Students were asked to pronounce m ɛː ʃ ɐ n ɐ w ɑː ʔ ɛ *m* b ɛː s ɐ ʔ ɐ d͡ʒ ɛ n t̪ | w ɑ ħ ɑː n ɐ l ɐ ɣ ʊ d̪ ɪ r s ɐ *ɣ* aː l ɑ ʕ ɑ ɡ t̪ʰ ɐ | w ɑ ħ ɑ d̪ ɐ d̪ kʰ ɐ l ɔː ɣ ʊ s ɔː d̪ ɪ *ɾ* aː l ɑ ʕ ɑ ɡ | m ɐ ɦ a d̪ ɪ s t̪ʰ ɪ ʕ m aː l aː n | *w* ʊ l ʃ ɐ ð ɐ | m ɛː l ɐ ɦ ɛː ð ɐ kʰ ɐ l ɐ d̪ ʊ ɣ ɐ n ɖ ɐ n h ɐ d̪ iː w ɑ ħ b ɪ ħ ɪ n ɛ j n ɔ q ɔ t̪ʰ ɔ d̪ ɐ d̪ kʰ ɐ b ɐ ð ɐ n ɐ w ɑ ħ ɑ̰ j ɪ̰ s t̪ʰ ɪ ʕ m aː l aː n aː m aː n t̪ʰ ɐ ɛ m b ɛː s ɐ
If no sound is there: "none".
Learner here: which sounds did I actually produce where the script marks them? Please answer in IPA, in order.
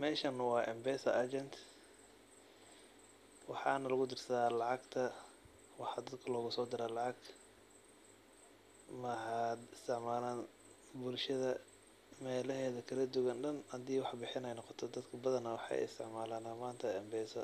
m, ð, ɾ, b

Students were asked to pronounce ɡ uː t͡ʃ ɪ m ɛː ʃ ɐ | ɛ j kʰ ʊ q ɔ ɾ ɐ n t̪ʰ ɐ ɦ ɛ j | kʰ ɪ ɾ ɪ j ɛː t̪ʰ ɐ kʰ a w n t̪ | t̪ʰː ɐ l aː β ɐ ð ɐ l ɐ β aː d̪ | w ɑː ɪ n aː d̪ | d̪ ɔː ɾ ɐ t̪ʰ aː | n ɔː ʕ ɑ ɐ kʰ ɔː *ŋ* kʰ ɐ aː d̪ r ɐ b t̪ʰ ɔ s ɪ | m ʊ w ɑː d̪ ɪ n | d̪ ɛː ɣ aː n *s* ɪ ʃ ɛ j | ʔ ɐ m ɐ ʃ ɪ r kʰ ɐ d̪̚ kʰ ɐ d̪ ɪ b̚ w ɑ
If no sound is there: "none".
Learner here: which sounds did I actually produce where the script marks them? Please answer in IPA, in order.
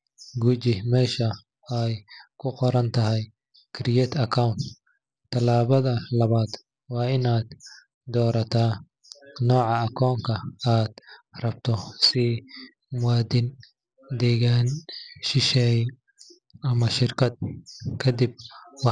ŋ, ʃ

